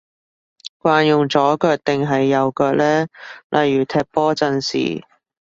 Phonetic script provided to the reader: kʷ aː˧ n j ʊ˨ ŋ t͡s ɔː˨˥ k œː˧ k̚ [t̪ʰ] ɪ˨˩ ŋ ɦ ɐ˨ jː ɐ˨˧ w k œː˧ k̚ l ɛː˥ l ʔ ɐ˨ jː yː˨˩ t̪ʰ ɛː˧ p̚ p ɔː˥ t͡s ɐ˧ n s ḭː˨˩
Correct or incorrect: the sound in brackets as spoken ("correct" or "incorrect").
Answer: incorrect